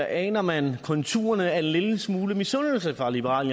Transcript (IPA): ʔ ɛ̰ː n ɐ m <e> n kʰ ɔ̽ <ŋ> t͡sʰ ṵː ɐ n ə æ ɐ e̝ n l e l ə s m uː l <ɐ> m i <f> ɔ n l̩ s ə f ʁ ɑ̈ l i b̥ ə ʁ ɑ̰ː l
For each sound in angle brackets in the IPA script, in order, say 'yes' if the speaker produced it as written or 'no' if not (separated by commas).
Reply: no, no, no, no